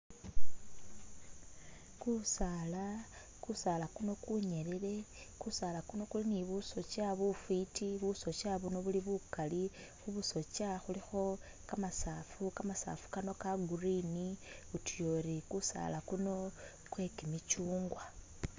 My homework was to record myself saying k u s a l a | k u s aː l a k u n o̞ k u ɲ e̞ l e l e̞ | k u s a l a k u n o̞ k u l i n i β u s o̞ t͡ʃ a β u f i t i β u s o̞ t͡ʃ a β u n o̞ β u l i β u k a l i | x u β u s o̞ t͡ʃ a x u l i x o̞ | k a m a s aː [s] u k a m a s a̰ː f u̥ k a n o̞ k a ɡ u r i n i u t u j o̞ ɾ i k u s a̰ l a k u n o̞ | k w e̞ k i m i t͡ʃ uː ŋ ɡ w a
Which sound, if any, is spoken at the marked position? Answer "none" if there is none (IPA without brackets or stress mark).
f